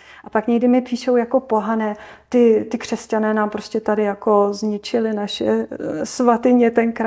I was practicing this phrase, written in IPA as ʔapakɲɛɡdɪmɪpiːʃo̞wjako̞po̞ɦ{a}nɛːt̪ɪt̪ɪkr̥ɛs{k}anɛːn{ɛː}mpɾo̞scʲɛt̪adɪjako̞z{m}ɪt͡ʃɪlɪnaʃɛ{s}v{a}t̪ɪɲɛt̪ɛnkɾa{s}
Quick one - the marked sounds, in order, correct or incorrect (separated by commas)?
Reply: correct, incorrect, incorrect, incorrect, correct, correct, incorrect